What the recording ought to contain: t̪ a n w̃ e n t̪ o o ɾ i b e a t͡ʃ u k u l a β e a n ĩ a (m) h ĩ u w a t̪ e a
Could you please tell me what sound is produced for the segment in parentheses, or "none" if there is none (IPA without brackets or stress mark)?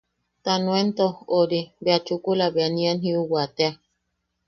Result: n